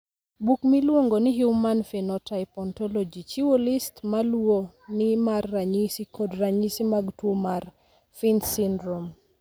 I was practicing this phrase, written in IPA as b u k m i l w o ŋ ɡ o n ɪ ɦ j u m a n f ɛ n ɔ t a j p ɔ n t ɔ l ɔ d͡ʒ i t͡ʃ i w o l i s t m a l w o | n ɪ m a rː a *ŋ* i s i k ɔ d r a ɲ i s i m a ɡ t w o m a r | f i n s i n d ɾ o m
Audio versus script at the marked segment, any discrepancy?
yes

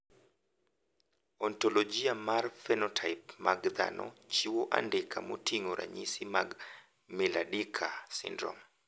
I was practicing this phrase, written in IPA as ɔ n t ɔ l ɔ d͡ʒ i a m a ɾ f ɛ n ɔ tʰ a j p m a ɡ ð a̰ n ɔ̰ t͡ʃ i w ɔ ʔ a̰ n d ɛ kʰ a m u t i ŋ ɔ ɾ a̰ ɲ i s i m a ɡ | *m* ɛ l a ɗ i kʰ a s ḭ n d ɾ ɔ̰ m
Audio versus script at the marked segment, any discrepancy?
no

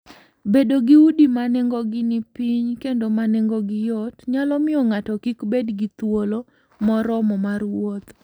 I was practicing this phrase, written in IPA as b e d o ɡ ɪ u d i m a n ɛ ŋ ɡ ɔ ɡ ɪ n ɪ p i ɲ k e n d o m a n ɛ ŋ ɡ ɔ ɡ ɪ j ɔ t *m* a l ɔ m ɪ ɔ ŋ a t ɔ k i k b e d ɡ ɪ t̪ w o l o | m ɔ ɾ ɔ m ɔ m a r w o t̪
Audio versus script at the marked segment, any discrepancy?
yes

